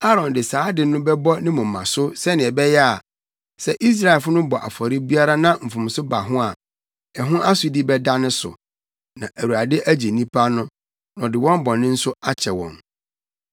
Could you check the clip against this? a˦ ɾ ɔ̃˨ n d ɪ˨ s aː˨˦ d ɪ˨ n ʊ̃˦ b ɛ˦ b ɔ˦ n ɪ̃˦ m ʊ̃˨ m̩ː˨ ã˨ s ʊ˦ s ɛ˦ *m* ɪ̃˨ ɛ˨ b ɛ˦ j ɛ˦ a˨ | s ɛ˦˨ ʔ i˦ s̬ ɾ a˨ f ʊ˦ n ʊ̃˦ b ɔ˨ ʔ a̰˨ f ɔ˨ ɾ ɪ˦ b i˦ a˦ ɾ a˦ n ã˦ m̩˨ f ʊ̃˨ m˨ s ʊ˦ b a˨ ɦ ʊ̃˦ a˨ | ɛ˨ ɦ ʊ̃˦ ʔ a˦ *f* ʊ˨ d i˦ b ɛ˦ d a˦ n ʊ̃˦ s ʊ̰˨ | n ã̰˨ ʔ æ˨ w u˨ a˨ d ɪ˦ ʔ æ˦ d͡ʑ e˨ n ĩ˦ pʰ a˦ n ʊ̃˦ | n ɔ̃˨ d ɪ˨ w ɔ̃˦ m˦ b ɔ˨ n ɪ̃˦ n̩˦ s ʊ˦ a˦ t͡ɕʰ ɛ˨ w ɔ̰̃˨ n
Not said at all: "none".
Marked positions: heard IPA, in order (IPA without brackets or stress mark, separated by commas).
n, s